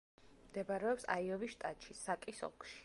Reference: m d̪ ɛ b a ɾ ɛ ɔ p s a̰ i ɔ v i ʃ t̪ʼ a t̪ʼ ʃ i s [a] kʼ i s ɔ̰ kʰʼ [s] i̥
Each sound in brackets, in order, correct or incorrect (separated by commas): correct, incorrect